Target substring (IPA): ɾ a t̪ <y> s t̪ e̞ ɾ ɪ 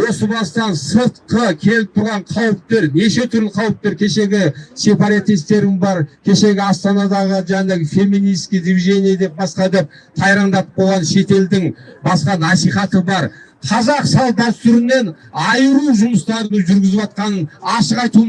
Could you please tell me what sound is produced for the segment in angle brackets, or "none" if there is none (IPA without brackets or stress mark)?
i